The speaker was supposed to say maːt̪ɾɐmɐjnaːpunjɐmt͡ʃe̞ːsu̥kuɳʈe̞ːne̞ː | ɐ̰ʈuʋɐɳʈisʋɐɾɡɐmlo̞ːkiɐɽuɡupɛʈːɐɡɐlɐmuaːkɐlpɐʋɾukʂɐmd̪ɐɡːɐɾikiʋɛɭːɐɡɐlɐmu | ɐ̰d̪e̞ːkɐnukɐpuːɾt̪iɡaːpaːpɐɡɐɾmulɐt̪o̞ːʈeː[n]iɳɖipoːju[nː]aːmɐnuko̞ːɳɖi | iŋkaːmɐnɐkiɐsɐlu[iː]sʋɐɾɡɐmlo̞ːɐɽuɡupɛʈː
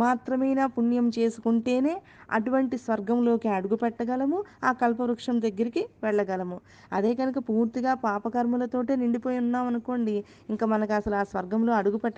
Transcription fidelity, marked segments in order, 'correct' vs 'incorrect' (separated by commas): correct, correct, incorrect